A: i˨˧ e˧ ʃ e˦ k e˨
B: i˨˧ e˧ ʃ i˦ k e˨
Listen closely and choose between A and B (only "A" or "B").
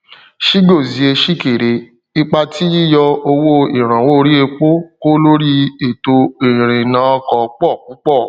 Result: B